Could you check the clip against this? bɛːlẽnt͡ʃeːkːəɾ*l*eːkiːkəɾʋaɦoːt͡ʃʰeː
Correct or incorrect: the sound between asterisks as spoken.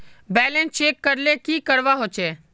correct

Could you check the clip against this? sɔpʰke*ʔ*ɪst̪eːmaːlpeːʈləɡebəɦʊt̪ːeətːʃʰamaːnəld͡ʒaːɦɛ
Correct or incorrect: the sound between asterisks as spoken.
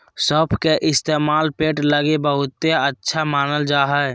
correct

